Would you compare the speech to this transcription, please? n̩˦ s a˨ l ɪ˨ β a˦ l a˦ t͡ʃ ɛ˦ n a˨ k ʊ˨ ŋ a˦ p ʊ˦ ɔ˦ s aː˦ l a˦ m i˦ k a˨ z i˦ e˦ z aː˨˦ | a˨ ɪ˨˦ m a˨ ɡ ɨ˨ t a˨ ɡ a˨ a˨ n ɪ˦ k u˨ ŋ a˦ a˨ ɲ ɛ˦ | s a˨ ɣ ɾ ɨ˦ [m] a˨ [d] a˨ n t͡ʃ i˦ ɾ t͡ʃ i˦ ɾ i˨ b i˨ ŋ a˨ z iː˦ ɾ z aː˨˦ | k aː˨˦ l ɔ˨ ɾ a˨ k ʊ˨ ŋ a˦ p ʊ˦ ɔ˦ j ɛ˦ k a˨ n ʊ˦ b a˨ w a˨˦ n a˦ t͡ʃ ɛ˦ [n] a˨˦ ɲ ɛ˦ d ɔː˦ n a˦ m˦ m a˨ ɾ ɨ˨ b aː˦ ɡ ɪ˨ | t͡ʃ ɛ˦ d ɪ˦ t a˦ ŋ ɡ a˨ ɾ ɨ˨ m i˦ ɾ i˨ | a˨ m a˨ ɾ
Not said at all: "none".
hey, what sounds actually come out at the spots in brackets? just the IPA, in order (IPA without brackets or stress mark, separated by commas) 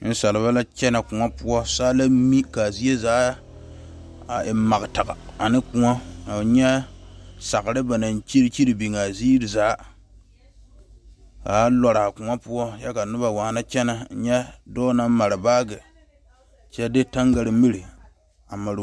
b, n, n